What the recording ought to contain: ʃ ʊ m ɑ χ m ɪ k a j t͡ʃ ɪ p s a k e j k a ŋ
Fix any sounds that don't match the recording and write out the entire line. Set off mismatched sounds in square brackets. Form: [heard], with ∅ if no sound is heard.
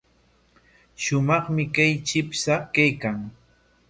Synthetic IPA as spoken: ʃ ʊ m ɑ χ m ɪ k a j t͡ʃ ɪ p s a k [a] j k a ŋ